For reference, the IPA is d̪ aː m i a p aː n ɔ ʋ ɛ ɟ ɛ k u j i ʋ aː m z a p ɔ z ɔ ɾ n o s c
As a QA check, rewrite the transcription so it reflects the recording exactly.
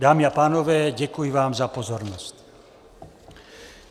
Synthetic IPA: d̪ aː m i a p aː n ɔ ʋ ɛː ɟ ɛ k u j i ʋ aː m z a p ɔ z ɔ ɾ n ɔ s c